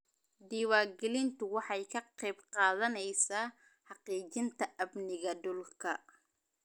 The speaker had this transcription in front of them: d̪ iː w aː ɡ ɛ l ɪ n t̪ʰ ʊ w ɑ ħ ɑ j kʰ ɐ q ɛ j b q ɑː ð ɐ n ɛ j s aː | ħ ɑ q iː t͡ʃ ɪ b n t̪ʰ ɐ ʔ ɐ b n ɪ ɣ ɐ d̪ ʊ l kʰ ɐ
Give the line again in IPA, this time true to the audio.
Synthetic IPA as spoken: d̪ iː w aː ɡ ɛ l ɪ n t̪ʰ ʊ w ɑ ħ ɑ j kʰ ɐ q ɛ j b q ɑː ð ɐ n ɛ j s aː | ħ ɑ q iː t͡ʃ ɪ n t̪ʰ ɐ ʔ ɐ b n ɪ ɣ ɐ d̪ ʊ l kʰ ɐ